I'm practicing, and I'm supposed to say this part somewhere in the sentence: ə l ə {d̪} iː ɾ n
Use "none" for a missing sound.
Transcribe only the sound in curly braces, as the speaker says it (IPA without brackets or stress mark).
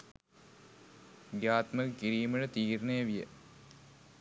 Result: t̪